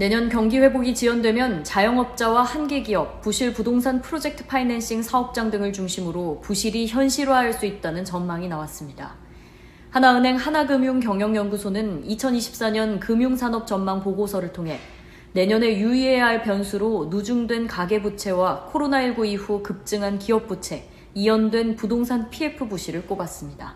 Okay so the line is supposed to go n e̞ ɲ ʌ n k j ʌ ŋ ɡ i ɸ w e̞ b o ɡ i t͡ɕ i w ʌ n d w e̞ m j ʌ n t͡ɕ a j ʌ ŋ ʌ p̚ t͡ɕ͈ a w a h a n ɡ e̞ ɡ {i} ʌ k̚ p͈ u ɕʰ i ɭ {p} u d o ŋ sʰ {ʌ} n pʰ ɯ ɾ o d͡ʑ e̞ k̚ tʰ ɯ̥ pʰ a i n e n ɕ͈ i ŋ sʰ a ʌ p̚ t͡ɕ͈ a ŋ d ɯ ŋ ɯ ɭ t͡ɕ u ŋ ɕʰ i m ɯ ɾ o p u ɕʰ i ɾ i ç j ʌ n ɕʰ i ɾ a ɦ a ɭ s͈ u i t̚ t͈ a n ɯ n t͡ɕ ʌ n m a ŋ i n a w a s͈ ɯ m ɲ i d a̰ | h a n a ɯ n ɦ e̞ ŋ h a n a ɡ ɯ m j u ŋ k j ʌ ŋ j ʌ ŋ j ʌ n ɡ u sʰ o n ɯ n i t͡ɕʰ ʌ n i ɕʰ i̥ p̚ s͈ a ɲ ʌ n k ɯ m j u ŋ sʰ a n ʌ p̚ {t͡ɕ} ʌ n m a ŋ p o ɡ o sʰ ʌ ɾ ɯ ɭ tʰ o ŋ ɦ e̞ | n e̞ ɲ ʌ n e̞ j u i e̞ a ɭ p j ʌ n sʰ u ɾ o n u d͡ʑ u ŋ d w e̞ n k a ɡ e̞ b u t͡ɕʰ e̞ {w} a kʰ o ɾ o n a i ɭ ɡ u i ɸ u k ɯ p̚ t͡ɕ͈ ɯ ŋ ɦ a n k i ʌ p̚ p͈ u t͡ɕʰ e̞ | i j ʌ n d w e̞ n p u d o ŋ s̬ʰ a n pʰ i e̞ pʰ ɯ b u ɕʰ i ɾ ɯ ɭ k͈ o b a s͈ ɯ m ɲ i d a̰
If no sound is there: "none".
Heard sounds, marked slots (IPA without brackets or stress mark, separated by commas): i, p, a, t͡ɕ, w